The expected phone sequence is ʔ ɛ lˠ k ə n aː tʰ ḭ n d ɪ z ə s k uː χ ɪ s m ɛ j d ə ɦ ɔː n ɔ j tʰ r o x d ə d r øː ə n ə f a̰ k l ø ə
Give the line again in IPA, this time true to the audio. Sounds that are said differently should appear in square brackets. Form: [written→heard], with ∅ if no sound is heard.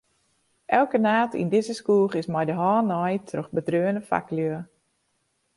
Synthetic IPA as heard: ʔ ɛ lˠ k ə n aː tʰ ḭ n d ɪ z ə s k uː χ ɪ s m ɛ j d ə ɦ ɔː n ɔ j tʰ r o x [d→b] ə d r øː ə n ə f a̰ k l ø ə